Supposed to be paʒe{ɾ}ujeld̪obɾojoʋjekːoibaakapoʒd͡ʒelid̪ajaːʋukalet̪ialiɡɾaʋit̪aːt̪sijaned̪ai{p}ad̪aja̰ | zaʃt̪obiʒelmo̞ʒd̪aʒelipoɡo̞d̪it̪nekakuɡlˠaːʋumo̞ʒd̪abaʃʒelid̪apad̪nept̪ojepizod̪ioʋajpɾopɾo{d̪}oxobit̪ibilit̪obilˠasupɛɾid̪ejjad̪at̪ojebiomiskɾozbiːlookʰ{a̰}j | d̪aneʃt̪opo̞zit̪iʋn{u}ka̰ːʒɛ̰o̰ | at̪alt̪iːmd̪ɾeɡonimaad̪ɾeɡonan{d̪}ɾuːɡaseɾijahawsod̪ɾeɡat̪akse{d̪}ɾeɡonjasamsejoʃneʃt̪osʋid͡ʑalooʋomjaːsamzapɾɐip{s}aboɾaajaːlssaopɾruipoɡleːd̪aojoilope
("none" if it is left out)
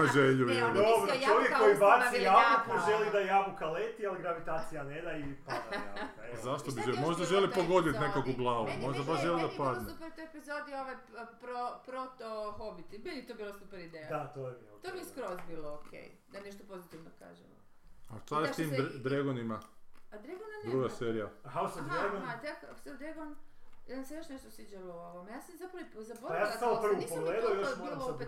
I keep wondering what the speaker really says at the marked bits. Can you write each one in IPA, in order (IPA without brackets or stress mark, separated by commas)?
ʎ, p, t̪, ḛ, o, d̪, d̪, z